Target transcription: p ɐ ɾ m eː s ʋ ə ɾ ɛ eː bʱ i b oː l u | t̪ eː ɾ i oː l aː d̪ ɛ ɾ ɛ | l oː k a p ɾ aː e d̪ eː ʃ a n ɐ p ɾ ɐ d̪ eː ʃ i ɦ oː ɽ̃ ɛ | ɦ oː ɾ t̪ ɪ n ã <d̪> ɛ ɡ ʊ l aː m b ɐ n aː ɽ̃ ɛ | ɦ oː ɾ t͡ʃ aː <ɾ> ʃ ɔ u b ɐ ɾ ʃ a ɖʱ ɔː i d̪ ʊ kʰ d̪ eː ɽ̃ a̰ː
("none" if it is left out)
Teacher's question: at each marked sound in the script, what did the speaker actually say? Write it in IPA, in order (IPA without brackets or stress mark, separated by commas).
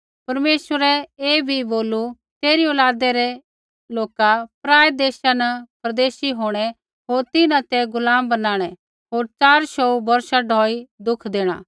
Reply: t̪, ɾ